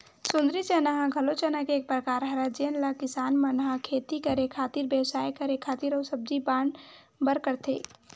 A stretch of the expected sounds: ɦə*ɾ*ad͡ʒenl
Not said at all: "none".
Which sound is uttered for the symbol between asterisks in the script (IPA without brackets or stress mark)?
ɾ